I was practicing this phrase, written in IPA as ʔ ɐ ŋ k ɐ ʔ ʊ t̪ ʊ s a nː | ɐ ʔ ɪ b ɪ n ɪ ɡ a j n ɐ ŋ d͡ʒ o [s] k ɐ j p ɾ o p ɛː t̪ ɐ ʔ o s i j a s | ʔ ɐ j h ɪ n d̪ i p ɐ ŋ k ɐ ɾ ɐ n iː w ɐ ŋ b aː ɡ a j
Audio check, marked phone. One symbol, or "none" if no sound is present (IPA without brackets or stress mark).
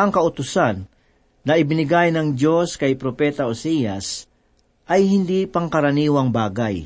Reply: s